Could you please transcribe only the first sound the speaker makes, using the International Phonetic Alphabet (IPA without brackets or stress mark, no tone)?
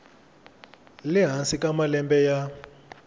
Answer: l